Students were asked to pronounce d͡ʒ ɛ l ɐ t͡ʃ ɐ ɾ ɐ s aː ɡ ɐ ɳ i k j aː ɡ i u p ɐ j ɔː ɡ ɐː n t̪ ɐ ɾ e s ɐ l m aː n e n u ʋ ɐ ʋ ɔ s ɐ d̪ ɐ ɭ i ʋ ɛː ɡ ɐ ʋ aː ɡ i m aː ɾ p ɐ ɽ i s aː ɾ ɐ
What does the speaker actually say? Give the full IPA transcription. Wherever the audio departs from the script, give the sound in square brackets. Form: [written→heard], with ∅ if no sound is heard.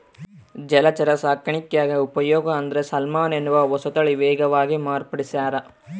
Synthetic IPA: d͡ʒ ɛ l ɐ t͡ʃ ɐ ɾ ɐ s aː [ɡ→k] ɐ ɳ i k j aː ɡ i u p ɐ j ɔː ɡ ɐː n [t̪→d̪] ɐ ɾ e s ɐ l m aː n e n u ʋ ɐ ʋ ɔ s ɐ [d̪→t̪] ɐ ɭ i ʋ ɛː ɡ ɐ ʋ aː ɡ i m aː ɾ p ɐ ɽ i s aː ɾ ɐ